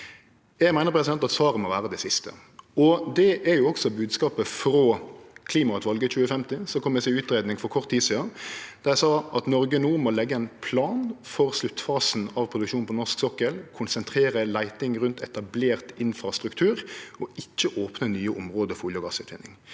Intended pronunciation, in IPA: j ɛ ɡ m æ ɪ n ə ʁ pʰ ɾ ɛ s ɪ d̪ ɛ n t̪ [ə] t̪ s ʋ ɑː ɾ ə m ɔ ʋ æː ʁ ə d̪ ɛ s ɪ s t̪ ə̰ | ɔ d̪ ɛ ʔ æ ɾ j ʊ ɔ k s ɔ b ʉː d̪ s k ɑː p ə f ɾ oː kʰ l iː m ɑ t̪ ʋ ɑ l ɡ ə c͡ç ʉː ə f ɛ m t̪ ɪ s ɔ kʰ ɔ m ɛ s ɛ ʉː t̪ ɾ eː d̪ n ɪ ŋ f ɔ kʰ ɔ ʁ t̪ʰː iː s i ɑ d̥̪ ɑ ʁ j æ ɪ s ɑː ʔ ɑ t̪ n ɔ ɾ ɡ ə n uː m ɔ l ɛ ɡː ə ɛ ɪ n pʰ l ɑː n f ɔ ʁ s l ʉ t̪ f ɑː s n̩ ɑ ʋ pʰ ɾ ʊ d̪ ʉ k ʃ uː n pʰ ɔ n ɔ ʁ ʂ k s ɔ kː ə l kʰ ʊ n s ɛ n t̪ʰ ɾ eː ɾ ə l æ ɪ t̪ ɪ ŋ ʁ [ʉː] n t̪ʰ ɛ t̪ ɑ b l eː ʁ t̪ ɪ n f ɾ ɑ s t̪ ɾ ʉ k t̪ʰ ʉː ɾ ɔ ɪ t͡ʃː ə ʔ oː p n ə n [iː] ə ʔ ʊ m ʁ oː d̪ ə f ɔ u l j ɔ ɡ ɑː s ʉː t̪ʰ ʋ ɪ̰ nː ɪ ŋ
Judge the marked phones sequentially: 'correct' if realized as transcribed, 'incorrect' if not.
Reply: incorrect: ɑ, incorrect: ʉ, incorrect: yː

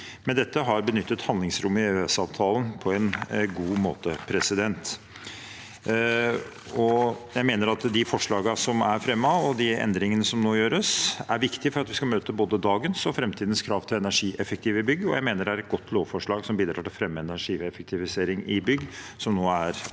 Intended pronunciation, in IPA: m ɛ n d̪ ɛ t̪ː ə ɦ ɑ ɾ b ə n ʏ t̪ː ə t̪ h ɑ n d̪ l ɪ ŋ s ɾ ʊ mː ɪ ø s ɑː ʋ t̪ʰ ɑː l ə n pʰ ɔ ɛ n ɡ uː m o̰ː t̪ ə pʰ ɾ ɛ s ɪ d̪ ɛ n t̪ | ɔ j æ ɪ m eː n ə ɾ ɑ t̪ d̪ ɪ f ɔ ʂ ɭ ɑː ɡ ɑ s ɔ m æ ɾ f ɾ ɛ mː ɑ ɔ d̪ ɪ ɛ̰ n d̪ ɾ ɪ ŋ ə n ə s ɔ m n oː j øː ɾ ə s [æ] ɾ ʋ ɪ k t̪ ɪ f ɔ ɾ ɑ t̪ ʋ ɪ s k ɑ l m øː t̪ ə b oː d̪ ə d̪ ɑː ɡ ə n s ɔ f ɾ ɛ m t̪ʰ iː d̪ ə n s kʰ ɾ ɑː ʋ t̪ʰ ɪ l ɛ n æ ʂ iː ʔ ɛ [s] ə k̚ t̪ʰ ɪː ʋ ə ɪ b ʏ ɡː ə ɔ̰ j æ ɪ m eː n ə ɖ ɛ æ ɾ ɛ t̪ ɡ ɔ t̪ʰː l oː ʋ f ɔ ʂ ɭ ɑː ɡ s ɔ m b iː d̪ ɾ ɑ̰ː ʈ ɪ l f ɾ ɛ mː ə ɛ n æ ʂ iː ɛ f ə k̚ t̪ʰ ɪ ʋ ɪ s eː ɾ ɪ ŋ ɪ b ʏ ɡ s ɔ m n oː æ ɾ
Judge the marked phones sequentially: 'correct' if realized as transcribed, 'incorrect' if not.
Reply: correct, incorrect: f

